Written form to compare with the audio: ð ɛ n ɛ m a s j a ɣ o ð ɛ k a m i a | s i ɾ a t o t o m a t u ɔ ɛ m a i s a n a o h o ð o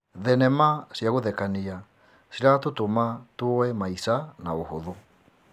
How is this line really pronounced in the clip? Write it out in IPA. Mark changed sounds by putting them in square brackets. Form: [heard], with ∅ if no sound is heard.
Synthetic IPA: ð ɛ n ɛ m a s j a ɣ o ð ɛ k a [n] i a | s i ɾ a t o t o m a t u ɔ ɛ m a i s a n a o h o ð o

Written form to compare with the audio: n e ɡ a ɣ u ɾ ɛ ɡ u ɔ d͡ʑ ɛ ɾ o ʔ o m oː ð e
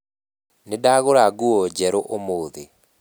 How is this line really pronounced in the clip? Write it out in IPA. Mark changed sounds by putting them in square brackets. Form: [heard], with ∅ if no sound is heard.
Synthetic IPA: n e [d] a ɣ [o] ɾ [a] ɡ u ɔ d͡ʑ ɛ ɾ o ʔ o m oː ð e

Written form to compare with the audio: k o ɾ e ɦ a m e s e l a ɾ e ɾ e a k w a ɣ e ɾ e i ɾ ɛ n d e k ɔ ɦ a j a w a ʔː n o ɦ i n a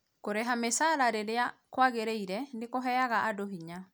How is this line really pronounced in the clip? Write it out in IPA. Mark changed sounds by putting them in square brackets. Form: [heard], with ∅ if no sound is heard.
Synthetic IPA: k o ɾ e ɦ a m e s [a] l a ɾ e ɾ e a k w a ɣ e ɾ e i ɾ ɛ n d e k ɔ ɦ [ɛ] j a [ɣ] a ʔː [d] o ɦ i [ɲ] a

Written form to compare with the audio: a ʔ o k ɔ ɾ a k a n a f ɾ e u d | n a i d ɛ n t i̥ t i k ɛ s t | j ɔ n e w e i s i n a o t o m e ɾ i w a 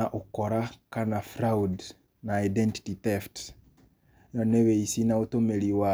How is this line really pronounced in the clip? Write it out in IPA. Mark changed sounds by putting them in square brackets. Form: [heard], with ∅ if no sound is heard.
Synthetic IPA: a ʔ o k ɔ ɾ a k a n a f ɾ [a] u d | n a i d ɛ n t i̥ t i [t] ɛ [f] t | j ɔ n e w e i s i n a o t o m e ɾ i w a

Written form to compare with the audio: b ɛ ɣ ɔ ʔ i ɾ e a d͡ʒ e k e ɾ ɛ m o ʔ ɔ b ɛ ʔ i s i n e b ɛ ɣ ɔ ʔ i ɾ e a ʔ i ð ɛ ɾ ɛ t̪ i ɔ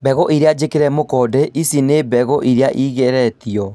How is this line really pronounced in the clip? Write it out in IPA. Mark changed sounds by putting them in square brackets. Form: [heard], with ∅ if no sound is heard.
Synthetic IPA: b ɛ ɣ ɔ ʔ i ɾ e a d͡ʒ e k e ɾ ɛ m o [k] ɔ [d] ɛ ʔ i s i n e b ɛ ɣ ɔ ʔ i ɾ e a ʔ i [ɣ] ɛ ɾ ɛ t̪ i ɔ

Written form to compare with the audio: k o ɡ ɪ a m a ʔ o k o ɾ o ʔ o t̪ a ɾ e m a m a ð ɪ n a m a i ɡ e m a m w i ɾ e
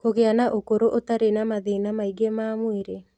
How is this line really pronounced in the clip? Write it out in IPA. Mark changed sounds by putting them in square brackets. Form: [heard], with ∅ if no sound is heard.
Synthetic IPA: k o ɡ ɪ a [n] a ʔ o k o ɾ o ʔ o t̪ a ɾ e [n] a m a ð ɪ n a m a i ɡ e m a m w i ɾ e

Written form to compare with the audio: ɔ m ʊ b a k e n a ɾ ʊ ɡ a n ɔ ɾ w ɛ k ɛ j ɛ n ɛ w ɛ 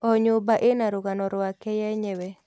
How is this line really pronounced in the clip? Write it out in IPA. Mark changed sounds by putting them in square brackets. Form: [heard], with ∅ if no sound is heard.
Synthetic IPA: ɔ [ɲ] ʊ b a [ʔ] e n a ɾ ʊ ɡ a n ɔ ɾ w [a] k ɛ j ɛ [ɲ] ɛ w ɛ

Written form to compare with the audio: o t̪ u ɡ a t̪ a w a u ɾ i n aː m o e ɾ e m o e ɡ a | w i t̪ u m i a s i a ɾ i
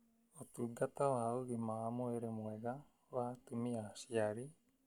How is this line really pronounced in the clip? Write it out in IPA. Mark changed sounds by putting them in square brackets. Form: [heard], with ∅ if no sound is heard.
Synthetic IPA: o t̪ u ɡ a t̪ a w a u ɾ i [m] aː m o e ɾ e m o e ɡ a | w [a] t̪ u m i a s i a ɾ i

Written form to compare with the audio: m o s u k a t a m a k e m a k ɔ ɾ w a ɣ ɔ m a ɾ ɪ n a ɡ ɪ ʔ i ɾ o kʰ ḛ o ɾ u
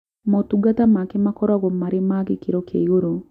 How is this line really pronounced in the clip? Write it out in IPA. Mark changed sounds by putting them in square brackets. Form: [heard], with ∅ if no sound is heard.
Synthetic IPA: m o [t] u [ɡ] a t a m a k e m a k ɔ ɾ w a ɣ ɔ m a ɾ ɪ [m] a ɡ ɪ [k] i ɾ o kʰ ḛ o ɾ [o]

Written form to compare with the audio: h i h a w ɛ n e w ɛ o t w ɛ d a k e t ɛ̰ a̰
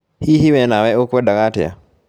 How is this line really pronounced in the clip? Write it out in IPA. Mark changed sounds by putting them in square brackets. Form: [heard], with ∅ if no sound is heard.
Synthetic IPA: h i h [i] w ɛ n [a] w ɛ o [k] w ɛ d a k [a] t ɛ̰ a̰

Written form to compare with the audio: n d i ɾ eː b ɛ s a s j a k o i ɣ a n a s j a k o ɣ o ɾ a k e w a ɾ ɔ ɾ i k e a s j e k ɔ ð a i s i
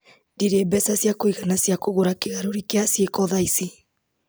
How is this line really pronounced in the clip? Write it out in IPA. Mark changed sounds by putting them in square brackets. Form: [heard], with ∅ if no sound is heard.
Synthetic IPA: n d i ɾ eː b ɛ s a s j a k o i ɣ a n a s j a k o ɣ o ɾ a k e [ɣ] a ɾ [o] ɾ i k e a s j e k ɔ ð a i s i

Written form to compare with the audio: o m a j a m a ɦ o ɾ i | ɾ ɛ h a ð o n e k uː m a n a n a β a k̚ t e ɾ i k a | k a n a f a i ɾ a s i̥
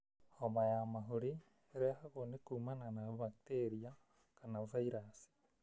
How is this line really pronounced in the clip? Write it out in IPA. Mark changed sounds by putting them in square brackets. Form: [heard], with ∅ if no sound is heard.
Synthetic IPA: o m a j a m a ɦ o ɾ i | ɾ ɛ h a [ɣ] o n e k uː m a n a n a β a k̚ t e ɾ i [∅] a | k a n a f a i ɾ a s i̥

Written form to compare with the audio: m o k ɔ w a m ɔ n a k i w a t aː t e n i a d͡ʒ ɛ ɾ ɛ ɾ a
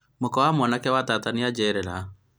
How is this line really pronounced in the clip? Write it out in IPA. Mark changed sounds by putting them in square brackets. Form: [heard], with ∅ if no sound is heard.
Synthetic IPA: m o k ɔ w a m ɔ n a k [ɛ] w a t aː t [a] n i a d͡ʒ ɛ ɾ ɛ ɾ a

